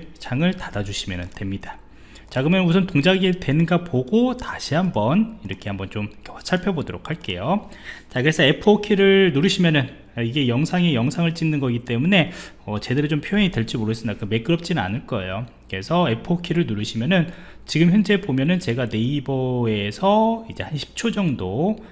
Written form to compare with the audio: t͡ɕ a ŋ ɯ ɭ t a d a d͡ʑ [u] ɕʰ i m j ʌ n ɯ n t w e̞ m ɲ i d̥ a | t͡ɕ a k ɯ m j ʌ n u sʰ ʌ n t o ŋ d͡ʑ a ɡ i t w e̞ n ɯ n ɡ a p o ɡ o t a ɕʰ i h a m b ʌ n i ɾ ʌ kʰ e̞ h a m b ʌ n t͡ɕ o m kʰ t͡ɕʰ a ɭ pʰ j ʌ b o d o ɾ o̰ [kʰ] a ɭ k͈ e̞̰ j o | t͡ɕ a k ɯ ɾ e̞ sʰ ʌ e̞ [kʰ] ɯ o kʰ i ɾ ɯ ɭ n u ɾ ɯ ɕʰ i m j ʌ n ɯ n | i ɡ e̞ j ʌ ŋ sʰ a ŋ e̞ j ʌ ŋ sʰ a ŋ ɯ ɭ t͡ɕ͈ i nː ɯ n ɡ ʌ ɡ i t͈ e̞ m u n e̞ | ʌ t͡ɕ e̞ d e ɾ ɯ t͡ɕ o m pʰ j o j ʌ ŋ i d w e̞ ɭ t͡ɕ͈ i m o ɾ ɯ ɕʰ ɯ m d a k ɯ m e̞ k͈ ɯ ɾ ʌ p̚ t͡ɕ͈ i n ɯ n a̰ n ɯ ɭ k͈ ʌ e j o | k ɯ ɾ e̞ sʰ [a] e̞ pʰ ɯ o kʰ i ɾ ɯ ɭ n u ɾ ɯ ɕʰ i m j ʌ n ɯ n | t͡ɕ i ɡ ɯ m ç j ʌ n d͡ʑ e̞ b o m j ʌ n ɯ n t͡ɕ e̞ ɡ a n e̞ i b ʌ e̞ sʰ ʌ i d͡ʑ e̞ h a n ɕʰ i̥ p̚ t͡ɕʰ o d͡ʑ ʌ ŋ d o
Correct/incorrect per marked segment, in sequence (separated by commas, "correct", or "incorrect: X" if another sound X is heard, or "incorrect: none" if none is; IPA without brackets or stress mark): correct, correct, incorrect: pʰ, incorrect: ʌ